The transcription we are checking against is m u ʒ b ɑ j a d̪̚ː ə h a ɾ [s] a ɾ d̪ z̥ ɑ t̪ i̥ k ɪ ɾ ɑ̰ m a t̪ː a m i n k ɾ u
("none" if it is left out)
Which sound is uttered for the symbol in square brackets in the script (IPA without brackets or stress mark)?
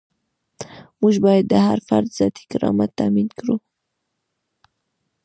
f